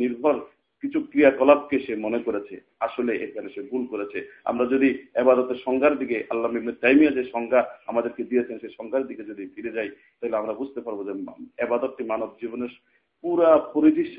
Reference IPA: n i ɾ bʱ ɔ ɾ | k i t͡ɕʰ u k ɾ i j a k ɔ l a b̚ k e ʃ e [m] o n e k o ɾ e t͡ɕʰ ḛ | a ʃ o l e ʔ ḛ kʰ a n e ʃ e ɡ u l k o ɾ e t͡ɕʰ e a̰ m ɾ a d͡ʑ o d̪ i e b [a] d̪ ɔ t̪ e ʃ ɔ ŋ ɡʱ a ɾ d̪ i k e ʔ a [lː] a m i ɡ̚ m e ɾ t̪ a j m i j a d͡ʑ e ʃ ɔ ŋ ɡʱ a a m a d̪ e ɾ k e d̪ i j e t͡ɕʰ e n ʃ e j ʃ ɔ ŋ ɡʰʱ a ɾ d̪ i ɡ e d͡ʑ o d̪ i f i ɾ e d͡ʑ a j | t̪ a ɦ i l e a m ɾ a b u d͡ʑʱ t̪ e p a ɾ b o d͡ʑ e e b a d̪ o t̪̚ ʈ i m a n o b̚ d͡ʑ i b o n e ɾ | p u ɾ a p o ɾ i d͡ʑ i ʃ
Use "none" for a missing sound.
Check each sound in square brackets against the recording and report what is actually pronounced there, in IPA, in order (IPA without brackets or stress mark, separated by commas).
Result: m, a, lː